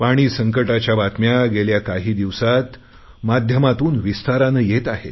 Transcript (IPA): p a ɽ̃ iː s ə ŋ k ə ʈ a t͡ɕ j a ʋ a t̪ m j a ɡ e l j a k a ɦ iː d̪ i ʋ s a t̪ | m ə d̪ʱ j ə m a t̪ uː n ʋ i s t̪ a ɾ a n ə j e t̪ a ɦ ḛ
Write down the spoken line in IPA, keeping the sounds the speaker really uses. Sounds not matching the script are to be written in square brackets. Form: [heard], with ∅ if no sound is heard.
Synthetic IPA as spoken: p a ɽ̃ iː s ə ŋ k ə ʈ a t͡ɕ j a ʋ a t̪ m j a ɡ e l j a k a ɦ iː d̪ i ʋ s a t̪ | m [a] d̪ʱ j ə m a t̪ uː n ʋ i s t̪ a ɾ a n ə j e t̪ a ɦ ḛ